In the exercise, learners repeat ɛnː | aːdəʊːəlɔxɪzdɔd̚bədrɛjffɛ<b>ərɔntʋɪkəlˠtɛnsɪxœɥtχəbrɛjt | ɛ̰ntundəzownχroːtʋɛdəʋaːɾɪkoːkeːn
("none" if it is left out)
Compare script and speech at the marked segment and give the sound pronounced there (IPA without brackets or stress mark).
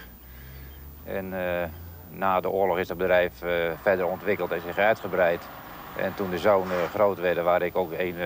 d